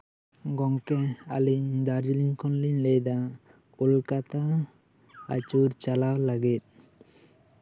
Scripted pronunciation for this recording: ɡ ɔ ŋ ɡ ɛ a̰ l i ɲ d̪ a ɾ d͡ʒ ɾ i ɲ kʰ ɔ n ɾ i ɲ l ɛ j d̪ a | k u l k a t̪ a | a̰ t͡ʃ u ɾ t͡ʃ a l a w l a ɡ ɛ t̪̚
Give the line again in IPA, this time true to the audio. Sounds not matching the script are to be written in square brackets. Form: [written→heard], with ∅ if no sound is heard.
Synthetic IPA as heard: ɡ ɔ ŋ [ɡ→k] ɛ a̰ l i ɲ d̪ a ɾ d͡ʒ [ɾ→l] i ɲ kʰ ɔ n [ɾ→l] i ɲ l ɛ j d̪ a | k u l k a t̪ a | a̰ t͡ʃ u ɾ t͡ʃ a l a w l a ɡ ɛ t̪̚

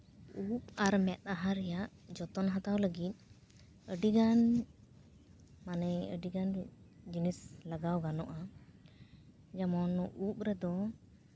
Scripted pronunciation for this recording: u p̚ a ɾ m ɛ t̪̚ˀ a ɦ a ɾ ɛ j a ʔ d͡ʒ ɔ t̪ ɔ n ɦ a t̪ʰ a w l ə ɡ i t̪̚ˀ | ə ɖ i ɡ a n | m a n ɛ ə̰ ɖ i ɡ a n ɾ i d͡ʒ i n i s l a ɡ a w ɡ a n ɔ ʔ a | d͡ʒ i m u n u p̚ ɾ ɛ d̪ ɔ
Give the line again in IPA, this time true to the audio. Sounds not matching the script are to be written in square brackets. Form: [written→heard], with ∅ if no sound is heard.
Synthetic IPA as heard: u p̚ a ɾ m ɛ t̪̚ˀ a ɦ a ɾ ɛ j a ʔ d͡ʒ ɔ t̪ ɔ n ɦ a [t̪ʰ→t̪] a w l ə ɡ i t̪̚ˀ | ə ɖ i ɡ a n | m a n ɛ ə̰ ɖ i ɡ a n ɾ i d͡ʒ i n i s l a ɡ a w ɡ a n ɔ ʔ a | d͡ʒ [i→a] m [u→ɔ] n u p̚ ɾ ɛ d̪ ɔ

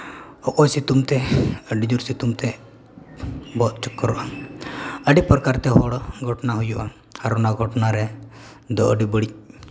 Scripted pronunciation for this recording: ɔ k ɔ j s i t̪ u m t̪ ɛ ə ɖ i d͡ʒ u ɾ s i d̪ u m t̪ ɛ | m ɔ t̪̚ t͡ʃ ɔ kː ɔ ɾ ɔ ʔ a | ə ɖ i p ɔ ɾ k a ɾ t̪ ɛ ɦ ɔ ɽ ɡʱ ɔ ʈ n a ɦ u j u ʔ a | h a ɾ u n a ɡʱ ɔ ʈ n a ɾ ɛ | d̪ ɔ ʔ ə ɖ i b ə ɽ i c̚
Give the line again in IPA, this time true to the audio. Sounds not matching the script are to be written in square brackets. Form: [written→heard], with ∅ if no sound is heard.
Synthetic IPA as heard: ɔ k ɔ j s i t̪ u m t̪ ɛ ə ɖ i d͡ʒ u ɾ s i [d̪→t̪] u m t̪ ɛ | [m→b] ɔ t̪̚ t͡ʃ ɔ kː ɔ ɾ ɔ ʔ a | ə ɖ i p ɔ ɾ k a ɾ t̪ ɛ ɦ ɔ ɽ ɡʱ ɔ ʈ n a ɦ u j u ʔ a | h a ɾ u n a ɡʱ ɔ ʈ n a ɾ ɛ | d̪ ɔ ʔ ə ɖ i b ə ɽ i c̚

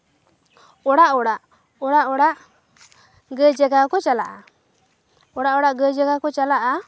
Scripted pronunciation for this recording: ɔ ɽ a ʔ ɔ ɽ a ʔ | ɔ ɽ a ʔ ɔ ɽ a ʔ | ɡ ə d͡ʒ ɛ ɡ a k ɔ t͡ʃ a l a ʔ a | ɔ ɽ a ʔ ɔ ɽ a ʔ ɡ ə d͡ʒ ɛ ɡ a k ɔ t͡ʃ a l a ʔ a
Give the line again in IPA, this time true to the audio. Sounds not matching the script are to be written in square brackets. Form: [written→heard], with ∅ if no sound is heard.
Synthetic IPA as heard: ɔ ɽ a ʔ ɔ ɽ a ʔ | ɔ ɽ a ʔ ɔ ɽ a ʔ | ɡ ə d͡ʒ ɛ ɡ a k ɔ t͡ʃ a l a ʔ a | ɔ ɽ a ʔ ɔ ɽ a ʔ ɡ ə d͡ʒ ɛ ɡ a k ɔ t͡ʃ a l a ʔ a

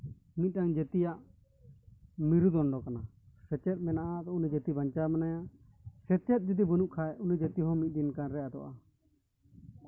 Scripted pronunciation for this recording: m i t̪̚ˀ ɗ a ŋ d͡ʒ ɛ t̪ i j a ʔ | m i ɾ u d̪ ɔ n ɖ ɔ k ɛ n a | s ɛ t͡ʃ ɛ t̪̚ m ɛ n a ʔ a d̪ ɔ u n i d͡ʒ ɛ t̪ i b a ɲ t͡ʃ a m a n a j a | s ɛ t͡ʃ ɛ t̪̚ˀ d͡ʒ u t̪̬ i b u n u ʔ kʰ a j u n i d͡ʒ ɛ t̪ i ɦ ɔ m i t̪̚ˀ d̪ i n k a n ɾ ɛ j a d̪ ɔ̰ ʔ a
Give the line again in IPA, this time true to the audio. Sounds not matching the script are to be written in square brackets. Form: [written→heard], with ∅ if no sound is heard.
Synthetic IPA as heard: m i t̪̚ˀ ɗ a ŋ d͡ʒ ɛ t̪ i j a ʔ | m i ɾ u d̪ ɔ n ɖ ɔ k [ɛ→a] n a | s ɛ t͡ʃ ɛ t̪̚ m ɛ n a ʔ a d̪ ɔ u n i d͡ʒ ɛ t̪ i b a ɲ t͡ʃ a m a n a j a | s ɛ t͡ʃ ɛ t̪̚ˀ d͡ʒ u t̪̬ i b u n u ʔ kʰ a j u n i d͡ʒ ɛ t̪ i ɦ ɔ m i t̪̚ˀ d̪ i n k a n ɾ ɛ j a d̪ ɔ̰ ʔ a

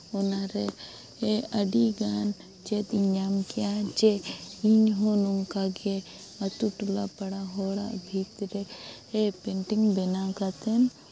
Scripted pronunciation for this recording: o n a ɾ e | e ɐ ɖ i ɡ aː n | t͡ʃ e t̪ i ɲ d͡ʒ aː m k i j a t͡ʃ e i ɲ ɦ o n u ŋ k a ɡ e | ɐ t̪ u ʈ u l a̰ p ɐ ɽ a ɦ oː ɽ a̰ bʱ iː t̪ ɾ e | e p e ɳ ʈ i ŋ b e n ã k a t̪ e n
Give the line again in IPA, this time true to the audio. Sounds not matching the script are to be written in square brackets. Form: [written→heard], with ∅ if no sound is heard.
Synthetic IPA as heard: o n a ɾ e | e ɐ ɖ i ɡ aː n | t͡ʃ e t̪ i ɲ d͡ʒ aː m k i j a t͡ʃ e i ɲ ɦ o n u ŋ k a ɡ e | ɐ t̪ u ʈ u l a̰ p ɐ ɽ a ɦ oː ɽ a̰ bʱ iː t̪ ɾ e | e p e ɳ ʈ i ŋ b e n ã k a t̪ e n

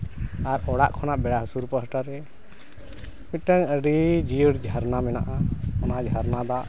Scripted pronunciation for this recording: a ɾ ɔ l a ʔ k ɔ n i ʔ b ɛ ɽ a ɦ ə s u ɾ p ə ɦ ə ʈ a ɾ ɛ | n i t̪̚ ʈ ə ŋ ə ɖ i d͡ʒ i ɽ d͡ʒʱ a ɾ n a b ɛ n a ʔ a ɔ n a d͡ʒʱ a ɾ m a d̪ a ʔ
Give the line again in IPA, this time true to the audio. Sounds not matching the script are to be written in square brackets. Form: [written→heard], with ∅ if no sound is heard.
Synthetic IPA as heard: a ɾ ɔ [l→ɽ] a ʔ [k→kʰ] ɔ n [i→a] ʔ b ɛ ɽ a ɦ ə s u ɾ p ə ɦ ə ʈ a ɾ ɛ | [n→m] i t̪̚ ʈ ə ŋ ə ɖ i d͡ʒ i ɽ d͡ʒʱ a ɾ n a [b→m] ɛ n a ʔ a ɔ n a d͡ʒʱ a ɾ [m→n] a d̪ a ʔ

